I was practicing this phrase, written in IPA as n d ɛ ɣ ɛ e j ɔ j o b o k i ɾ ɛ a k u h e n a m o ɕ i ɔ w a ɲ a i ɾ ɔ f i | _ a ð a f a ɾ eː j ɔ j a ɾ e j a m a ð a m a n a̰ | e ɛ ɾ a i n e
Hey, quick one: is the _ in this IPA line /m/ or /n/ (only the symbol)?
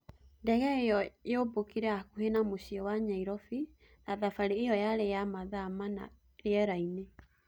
n